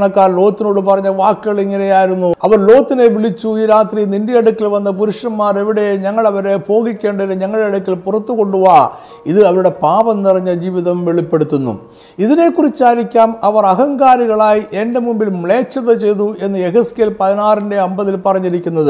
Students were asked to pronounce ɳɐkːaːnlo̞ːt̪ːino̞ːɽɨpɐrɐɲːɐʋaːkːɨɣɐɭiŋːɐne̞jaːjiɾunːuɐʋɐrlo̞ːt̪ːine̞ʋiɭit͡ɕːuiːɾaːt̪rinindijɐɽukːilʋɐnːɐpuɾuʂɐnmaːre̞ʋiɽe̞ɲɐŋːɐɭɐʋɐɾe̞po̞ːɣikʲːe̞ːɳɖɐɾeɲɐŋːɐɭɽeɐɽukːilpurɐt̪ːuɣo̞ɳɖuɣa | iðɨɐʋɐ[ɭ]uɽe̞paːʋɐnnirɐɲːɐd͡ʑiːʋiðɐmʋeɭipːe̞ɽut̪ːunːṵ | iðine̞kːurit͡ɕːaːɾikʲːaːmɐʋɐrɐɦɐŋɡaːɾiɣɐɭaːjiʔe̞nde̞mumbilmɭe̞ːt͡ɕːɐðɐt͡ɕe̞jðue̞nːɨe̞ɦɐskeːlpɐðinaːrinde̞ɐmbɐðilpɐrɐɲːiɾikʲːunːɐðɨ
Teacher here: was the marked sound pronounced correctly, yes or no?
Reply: no